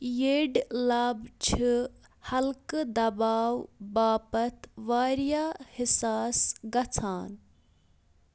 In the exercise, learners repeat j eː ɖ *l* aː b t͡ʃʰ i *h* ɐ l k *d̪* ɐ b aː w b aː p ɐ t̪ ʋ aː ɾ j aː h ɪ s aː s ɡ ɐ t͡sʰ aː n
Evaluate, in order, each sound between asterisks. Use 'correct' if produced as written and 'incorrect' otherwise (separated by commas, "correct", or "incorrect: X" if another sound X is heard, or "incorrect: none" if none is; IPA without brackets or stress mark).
correct, correct, correct